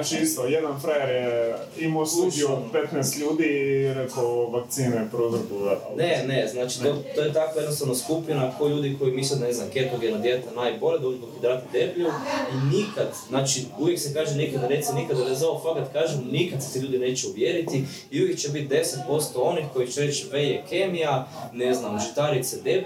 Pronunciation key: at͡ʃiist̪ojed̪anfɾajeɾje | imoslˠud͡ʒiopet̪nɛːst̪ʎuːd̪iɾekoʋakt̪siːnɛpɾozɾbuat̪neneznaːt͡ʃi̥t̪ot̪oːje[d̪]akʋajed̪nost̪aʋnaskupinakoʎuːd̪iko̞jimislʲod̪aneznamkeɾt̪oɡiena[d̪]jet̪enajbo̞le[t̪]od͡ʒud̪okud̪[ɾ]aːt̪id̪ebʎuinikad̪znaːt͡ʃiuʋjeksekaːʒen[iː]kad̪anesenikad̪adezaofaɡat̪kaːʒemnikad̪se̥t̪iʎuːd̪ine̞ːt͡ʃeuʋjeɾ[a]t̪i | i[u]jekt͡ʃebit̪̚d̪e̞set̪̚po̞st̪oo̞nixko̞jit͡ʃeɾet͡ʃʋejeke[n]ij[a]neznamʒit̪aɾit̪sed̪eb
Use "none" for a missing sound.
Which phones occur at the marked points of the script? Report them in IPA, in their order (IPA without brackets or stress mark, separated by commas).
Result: t̪, d̪, d̪, ɾ, i, i, u, m, a